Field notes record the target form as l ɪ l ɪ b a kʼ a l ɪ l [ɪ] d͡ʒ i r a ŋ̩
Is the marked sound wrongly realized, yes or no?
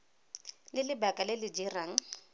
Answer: no